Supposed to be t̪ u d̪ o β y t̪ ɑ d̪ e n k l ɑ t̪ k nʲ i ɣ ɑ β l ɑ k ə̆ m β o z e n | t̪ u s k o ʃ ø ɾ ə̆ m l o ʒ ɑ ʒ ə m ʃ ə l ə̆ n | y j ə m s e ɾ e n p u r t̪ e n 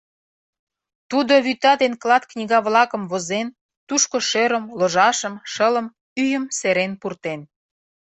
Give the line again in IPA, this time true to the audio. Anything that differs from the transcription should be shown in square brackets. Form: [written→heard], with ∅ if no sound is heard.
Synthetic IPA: t̪ u d̪ o β y t̪ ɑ d̪ e n k l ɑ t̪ k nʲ i ɣ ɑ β l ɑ k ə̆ m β o z e n | t̪ u [s→ʃ] k o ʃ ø ɾ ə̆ m l o ʒ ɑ [ʒ→ʃ] ə m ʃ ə l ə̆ [n→m] | y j ə m s e ɾ e n p u r t̪ e n